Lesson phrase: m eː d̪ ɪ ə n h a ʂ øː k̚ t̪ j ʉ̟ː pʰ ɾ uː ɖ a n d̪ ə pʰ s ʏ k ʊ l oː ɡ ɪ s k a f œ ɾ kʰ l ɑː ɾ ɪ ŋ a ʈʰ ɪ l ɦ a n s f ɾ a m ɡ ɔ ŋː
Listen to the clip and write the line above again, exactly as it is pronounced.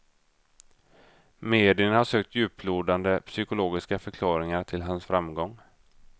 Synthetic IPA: m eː d̪ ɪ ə n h a ʂ øː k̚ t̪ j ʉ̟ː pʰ l uː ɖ a n d̪ ə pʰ s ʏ k ʊ l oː ɡ ɪ s k a f œ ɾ kʰ l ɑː ɾ ɪ ŋ a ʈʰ ɪ l ɦ a n s f ɾ a m ɡ ɔ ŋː

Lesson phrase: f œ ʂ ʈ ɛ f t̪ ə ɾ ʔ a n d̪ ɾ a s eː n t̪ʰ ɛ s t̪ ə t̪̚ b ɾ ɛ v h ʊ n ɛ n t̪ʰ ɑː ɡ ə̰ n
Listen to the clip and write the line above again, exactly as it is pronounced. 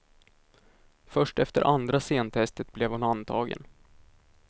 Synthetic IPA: f œ ʂ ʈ ɛ f t̪ ə ɾ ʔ a n d̪ ɾ a s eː n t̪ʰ ɛ s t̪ ə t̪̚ b l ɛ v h ʊ n a n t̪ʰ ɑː ɡ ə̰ n

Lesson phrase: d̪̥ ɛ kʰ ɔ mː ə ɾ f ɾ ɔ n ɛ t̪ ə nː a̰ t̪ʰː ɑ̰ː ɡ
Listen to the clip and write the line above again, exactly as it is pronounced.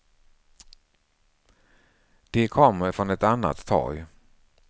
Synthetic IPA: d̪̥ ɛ kʰ ɔ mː ə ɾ f ɾ ɔ n ɛ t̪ a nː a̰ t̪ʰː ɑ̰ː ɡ

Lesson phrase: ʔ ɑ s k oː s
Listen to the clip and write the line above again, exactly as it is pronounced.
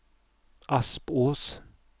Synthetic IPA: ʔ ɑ s p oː s

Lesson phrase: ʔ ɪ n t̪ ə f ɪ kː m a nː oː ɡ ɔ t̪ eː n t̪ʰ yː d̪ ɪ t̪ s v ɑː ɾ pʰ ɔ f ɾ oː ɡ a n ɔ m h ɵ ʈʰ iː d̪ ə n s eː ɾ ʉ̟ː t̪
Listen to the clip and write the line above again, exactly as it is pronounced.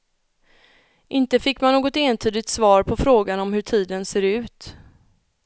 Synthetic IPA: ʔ ɪ n t̪ ə f ɪ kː m a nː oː ɡ ɔ t̪ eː n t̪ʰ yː d̪ ɪ t̪ s v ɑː ɾ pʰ ɔ f ɾ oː ɡ a n ɔ m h ɵ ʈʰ iː d̪ ə n s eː ɾ ʉ̟ː t̪

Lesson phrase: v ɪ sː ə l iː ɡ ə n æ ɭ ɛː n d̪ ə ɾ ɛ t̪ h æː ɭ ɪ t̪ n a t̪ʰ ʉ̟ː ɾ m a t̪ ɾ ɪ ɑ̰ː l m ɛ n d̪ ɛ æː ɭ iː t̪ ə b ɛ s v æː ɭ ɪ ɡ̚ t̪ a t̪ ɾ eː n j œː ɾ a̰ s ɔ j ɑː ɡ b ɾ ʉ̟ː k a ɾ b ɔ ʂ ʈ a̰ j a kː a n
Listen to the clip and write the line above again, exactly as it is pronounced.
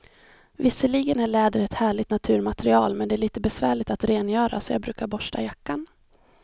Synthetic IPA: v ɪ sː ə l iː ɡ ə n æ ɭ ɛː d̪ ə ɾ ɛ t̪ h æː ɭ ɪ t̪ n a t̪ʰ ʉ̟ː ɾ m a t̪ ɾ ɪ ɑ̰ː l m ɛ n d̪ ɛ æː ɭ iː t̪ ə b ɛ s v æː ɭ ɪ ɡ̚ t̪ a t̪ ɾ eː n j œː ɾ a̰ s ɔ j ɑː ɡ b ɾ ʉ̟ː k a ɾ b ɔ ʂ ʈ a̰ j a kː a n

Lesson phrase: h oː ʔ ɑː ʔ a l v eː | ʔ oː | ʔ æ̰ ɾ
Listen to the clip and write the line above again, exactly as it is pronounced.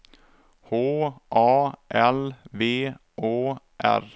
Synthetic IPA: h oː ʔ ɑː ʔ ɛ l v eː | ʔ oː | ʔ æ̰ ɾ

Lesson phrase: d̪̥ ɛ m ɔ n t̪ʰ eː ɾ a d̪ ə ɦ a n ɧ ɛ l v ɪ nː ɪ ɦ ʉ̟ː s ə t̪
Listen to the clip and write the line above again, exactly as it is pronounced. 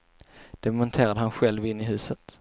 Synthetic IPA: d̪̥ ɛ m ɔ n t̪ʰ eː ɾ a d̪ ə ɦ a n ɧ ɛ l v ɪ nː ɪ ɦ ʉ̟ː s ə t̪

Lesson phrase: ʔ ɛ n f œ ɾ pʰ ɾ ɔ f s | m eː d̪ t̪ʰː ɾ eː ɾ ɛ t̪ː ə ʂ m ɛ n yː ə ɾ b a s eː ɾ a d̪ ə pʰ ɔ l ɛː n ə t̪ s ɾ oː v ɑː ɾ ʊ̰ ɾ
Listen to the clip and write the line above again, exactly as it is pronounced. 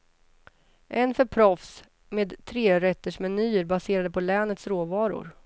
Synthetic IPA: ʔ ɛ n f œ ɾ pʰ ɾ ɔ f s | m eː d̪ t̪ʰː ɾ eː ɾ ɛ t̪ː ə ʂ m ɛ n yː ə ɾ b a s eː ɾ a d̪ ə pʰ ɔ l ɛː n ə t̪ s ɾ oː v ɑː ɾ ʊ̰ ɾ

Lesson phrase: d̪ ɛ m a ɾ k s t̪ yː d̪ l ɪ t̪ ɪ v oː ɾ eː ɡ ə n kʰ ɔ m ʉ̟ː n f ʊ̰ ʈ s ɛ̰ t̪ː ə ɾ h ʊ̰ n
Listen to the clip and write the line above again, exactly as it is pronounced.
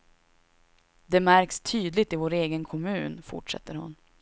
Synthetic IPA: d̪ ɛ m æ ɾ k s t̪ʰ yː d̪ l ɪ t̪ ɪ v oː ɾ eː ɡ ə n kʰ ɔ m ʉ̟ː n f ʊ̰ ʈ ʂ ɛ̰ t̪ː ə ɾ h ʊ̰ n

